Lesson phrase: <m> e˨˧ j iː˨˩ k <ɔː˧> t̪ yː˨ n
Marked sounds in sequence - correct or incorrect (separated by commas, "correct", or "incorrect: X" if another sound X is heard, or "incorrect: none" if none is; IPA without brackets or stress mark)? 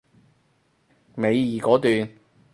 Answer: correct, incorrect: ɔː˨˥